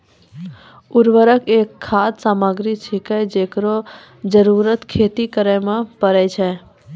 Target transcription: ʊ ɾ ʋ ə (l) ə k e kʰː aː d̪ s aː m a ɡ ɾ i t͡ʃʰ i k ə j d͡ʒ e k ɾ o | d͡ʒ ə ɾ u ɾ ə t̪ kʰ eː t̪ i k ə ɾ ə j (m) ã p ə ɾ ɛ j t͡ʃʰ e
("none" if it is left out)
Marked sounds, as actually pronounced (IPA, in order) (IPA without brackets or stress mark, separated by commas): ɾ, m